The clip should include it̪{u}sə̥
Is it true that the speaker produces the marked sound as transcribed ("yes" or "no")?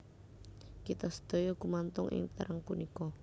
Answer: no